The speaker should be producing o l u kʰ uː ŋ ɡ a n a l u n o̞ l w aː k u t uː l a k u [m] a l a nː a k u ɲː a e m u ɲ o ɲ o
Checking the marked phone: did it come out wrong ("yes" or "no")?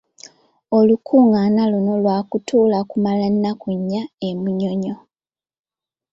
no